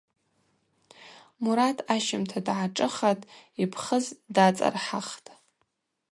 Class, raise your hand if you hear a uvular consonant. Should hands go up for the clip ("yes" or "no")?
yes